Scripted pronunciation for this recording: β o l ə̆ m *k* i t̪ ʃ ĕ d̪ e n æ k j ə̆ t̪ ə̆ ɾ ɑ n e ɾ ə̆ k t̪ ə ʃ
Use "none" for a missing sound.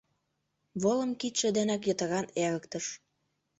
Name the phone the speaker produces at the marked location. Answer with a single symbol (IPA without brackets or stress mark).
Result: k